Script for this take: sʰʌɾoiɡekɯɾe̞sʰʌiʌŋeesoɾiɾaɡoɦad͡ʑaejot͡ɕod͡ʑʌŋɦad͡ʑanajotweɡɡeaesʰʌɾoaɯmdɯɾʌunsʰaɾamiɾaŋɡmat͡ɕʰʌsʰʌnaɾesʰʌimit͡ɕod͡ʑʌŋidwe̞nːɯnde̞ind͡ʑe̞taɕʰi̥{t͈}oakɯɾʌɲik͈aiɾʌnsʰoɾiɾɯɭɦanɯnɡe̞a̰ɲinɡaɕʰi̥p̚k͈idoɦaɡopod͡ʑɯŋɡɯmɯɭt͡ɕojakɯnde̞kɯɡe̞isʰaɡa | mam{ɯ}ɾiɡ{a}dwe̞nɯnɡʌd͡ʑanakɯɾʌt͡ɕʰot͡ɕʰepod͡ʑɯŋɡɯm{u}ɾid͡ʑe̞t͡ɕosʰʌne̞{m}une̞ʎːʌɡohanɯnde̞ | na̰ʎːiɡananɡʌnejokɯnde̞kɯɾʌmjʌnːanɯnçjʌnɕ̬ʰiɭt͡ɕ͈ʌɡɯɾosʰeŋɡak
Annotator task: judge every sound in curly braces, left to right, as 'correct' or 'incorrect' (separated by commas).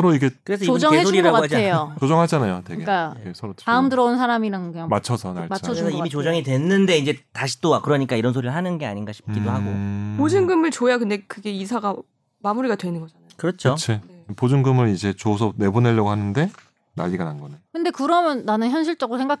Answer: correct, incorrect, correct, incorrect, incorrect